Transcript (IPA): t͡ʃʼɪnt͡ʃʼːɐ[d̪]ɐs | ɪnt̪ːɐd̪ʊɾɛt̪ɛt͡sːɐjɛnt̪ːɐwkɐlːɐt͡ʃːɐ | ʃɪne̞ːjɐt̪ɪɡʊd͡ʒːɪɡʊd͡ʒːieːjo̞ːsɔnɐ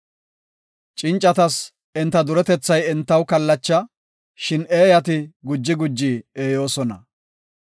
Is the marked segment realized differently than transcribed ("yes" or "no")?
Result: yes